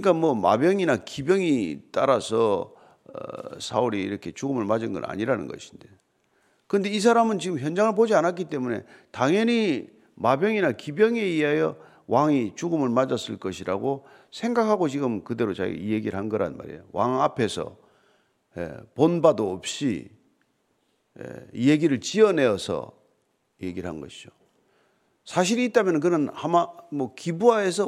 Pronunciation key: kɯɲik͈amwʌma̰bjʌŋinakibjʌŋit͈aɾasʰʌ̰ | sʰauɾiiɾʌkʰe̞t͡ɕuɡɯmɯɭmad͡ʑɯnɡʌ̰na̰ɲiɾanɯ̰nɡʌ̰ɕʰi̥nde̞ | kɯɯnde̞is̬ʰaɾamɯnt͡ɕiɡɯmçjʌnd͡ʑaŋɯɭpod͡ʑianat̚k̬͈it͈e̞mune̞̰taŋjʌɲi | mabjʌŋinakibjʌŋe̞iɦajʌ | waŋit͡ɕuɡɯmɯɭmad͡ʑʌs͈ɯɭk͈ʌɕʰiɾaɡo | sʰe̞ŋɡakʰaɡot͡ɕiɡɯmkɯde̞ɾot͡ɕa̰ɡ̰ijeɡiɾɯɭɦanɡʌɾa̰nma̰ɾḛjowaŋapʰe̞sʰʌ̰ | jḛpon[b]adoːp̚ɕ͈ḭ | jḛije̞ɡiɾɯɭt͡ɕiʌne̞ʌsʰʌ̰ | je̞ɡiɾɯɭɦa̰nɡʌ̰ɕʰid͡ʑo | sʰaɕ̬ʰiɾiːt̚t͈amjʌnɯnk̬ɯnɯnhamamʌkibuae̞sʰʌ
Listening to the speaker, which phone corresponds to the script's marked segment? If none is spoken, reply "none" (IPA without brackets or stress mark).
b